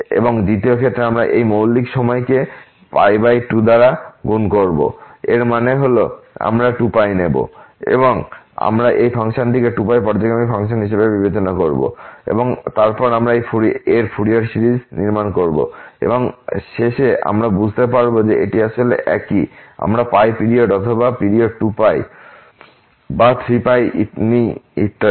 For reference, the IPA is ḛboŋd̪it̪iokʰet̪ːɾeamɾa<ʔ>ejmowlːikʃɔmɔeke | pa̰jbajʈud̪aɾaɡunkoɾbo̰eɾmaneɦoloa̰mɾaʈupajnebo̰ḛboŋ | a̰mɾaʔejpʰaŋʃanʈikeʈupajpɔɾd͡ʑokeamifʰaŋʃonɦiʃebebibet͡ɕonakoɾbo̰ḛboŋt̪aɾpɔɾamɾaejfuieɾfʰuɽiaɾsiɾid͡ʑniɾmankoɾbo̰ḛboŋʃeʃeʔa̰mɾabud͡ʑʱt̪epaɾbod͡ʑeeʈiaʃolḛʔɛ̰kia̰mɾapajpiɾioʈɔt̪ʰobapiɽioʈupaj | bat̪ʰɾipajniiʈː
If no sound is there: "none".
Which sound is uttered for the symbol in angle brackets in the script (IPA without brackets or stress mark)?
ʔ